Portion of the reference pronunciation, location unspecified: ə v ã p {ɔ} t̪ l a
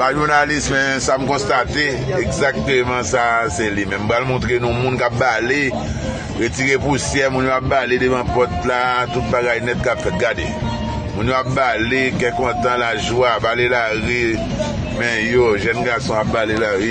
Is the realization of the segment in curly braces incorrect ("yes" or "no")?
no